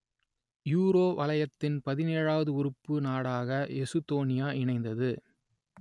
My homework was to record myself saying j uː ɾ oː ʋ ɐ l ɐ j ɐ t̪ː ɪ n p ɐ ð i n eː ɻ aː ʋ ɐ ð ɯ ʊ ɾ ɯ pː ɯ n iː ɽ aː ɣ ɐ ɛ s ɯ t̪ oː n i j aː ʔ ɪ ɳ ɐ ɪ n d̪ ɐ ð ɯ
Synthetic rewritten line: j uː ɾ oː ʋ ɐ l ɐ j ɐ t̪ː ɪ n p ɐ ð ɪ n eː ɻ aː ʋ ɐ ð ɯ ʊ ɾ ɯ pː ɯ n aː ɽ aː ɣ ɐ ɛ s ɯ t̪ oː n ɪ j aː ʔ ɪ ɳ ɐ ɪ n d̪ ɐ ð ɯ